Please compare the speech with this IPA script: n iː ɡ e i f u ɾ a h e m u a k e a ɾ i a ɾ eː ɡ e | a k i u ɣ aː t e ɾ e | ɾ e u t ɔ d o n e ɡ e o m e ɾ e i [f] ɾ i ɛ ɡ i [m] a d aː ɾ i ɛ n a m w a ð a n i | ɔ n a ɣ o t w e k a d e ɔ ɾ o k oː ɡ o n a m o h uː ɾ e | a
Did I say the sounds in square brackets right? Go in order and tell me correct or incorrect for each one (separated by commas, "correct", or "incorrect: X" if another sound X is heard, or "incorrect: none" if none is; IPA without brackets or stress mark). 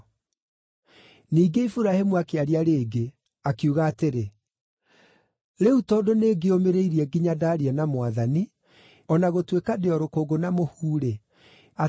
incorrect: none, incorrect: ɲ